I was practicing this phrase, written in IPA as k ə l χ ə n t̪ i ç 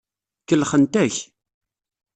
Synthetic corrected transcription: k ə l χ ə n t̪ æ ç